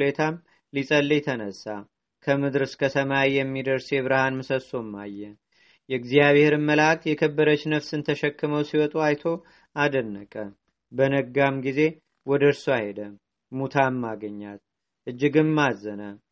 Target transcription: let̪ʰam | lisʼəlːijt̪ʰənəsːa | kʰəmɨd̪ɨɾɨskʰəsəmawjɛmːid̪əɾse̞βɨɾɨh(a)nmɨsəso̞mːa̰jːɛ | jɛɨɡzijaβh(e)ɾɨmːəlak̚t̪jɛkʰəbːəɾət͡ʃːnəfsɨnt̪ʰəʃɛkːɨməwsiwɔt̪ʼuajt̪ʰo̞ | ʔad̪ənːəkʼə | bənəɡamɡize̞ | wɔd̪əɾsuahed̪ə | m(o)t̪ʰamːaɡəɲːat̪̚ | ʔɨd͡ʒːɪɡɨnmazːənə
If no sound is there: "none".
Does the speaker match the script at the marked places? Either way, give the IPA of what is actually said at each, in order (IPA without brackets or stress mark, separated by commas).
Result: a, e, u